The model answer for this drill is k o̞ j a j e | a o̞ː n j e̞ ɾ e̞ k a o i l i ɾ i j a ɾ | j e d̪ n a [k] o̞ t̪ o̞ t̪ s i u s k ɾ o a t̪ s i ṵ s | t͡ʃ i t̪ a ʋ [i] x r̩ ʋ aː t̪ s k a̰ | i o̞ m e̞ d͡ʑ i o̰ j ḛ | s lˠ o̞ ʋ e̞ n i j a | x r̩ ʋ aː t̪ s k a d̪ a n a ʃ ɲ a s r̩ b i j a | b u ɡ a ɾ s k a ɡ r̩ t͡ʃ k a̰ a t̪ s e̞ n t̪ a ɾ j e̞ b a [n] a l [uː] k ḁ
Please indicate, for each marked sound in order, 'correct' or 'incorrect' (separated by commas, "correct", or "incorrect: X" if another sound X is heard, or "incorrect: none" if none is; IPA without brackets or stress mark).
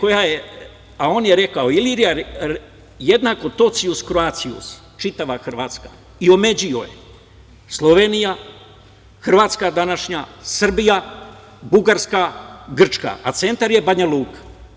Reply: correct, incorrect: a, incorrect: ɲ, correct